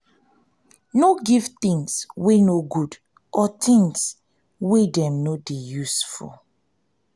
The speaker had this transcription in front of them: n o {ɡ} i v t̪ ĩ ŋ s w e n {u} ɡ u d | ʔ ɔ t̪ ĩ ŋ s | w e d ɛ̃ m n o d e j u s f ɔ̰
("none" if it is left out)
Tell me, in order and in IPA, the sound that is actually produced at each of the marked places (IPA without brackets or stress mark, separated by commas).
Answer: ɡ, o